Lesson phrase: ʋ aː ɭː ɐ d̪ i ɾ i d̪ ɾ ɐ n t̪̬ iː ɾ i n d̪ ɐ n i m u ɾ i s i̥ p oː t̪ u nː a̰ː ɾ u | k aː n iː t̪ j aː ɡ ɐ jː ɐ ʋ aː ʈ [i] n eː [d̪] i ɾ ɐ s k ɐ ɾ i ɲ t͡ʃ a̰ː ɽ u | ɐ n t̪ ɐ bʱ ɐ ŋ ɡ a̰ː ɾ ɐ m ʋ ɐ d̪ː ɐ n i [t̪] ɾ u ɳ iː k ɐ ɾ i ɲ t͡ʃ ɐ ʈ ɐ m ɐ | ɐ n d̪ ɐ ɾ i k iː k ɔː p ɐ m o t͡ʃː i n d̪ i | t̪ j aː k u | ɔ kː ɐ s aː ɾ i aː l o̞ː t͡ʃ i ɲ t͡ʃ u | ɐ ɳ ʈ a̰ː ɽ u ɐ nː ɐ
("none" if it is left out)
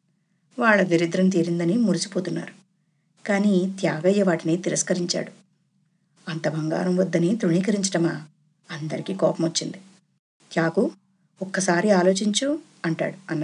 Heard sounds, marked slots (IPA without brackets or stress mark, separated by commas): i, t̪, t̪